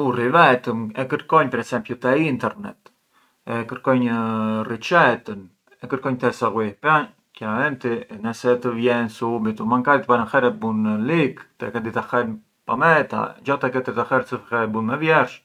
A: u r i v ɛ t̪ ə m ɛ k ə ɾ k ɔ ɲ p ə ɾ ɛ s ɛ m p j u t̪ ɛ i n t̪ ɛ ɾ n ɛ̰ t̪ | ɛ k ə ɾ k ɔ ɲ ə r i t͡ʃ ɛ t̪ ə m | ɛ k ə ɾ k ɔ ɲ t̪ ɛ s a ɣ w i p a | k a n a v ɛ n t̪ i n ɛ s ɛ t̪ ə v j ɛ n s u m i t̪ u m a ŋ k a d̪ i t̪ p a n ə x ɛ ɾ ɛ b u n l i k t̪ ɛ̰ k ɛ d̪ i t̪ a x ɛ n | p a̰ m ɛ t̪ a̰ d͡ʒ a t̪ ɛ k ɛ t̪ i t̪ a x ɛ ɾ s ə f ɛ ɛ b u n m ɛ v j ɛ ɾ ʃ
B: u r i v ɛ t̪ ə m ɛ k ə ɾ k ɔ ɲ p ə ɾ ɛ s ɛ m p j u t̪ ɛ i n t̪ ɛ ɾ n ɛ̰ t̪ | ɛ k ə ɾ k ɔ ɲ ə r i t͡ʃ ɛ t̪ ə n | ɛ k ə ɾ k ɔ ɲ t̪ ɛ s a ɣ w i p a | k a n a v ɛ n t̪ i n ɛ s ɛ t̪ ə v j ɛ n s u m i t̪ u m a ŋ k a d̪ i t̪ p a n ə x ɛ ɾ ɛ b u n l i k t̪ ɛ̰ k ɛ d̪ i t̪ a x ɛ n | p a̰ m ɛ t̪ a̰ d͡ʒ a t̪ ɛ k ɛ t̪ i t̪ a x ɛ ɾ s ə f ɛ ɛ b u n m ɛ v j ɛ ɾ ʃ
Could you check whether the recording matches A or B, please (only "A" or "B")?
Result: B